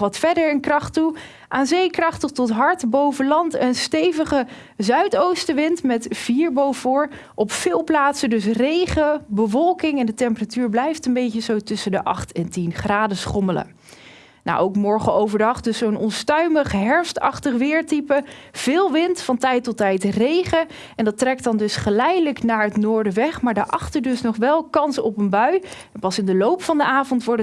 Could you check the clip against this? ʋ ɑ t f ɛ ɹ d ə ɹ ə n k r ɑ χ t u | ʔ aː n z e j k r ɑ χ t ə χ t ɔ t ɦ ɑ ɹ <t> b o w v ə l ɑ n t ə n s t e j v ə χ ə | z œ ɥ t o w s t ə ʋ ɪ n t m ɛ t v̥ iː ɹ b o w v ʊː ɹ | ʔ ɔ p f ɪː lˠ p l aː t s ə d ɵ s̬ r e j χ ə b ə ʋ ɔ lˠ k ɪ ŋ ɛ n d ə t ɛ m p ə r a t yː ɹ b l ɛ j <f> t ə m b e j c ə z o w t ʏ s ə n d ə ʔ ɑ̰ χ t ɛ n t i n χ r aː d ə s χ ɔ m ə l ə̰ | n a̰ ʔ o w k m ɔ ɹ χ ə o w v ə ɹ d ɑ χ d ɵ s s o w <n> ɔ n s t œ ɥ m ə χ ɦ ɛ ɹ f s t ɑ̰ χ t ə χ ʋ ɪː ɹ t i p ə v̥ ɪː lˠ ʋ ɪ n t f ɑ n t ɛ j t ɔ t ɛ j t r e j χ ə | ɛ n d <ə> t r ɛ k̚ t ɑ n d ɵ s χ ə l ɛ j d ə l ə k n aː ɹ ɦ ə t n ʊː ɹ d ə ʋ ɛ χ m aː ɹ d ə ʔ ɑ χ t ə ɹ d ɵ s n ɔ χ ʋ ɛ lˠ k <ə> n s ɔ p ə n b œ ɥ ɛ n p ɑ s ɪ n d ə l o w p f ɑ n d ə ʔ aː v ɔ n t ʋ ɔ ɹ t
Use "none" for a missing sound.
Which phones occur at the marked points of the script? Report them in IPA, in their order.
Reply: t, f, n, ɑ, ɑ

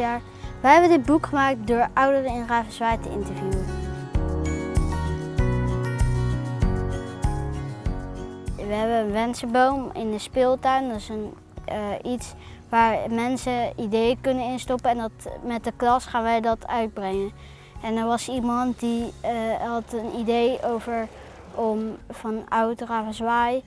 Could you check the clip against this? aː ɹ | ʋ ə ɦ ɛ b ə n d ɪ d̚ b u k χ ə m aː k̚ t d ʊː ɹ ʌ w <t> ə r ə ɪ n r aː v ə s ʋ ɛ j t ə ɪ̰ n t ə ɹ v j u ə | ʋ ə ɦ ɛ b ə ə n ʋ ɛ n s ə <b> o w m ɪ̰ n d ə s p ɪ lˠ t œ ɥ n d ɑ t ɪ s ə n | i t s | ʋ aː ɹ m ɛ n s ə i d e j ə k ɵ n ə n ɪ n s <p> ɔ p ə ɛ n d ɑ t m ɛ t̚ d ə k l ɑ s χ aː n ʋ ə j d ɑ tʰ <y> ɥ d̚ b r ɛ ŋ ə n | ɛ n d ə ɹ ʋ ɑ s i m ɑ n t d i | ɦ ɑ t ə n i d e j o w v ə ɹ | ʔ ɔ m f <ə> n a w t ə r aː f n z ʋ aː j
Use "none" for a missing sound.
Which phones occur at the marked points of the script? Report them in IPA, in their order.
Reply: d, b, t, œ, ɑ

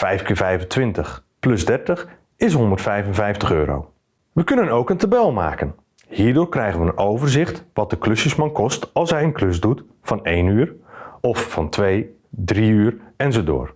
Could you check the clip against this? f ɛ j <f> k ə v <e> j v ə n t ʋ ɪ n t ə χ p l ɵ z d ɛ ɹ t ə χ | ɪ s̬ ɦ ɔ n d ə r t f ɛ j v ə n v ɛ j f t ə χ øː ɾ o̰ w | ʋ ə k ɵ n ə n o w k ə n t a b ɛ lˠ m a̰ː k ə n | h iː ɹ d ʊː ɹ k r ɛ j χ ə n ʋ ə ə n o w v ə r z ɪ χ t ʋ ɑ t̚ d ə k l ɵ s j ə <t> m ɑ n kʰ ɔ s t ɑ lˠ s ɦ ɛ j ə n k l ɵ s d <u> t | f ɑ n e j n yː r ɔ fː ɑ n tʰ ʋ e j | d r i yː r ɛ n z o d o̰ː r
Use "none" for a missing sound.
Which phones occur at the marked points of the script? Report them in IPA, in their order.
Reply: f, ɛ, s, u

